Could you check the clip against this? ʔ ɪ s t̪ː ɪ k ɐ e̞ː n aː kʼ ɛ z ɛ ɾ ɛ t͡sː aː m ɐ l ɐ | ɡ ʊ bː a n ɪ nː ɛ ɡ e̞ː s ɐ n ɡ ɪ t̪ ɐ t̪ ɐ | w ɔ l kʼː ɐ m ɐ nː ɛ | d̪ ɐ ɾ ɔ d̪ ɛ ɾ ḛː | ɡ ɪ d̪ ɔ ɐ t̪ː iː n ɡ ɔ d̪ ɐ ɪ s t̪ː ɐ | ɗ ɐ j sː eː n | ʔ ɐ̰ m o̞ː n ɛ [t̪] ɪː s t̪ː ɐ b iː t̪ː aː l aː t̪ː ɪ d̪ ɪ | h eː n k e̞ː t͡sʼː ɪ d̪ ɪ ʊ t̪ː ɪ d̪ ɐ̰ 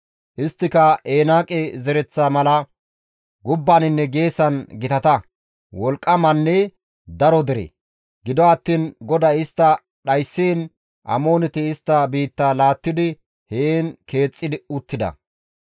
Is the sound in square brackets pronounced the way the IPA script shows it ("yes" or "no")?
yes